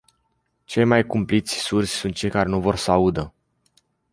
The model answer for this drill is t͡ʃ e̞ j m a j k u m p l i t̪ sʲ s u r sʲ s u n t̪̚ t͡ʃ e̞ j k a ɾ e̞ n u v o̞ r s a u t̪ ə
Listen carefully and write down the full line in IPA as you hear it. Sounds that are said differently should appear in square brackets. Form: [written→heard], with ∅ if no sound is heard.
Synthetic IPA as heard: t͡ʃ e̞ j m a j k u m p l i t̪ sʲ s u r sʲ s u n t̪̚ t͡ʃ e̞ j k a ɾ e̞ n u v o̞ r s a u [t̪→d̪] ə